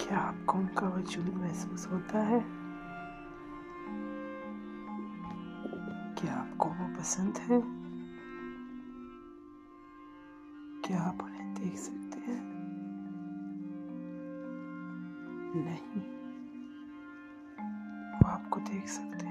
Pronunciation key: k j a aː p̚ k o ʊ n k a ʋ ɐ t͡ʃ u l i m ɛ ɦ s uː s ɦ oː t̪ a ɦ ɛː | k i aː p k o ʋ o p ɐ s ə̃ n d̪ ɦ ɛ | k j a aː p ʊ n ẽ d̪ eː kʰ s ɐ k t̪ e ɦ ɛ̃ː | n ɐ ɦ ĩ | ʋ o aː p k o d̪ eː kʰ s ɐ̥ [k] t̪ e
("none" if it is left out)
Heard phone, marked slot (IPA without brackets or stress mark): k